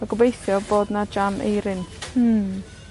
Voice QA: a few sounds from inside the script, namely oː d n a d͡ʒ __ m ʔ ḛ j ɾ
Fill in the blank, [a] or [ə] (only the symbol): a